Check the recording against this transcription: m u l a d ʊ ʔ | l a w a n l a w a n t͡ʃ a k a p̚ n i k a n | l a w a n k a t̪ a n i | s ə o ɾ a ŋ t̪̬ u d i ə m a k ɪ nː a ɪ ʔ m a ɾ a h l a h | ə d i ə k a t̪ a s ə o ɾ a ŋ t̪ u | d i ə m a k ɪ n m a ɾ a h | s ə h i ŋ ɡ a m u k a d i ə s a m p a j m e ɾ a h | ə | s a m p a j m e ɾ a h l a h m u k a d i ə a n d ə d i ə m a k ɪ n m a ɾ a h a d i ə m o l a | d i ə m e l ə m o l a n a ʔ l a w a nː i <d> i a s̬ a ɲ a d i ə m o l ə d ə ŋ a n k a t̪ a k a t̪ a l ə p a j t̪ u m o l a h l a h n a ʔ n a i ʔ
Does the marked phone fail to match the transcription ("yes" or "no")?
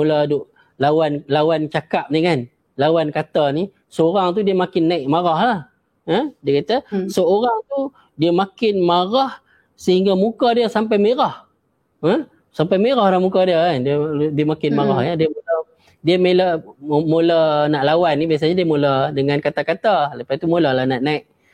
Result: yes